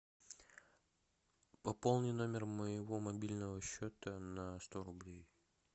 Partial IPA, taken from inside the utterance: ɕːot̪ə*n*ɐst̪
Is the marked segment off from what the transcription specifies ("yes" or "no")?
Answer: no